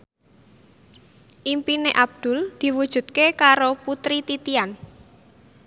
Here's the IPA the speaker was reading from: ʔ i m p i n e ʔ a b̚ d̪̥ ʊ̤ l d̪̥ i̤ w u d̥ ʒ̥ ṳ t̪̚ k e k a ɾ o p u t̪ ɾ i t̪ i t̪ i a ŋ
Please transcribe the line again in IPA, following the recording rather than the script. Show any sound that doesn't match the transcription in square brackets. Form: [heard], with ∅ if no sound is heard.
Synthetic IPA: ʔ i m p i n e ʔ a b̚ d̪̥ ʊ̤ l d̪̥ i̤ w u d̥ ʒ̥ ṳ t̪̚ k e k a ɾ o p u t̪ ɾ i t̪ i t̪ i a [n]